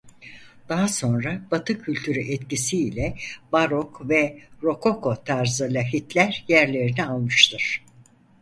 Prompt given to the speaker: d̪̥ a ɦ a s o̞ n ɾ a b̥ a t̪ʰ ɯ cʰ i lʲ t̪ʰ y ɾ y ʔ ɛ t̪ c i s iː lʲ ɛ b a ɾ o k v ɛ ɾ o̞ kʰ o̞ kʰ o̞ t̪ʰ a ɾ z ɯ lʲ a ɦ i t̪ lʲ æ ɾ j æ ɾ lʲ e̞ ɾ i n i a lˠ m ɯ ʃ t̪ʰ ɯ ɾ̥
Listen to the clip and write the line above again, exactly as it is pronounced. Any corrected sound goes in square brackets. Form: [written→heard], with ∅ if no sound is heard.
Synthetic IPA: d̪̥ a ɦ a s o̞ n ɾ a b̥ a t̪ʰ ɯ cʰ [i→y] lʲ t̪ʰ y ɾ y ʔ ɛ t̪ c i s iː lʲ ɛ b a ɾ o k v ɛ ɾ o̞ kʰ o̞ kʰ o̞ t̪ʰ a ɾ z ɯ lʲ a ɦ i t̪ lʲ æ ɾ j æ ɾ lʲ e̞ ɾ i n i a lˠ m ɯ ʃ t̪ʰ ɯ ɾ̥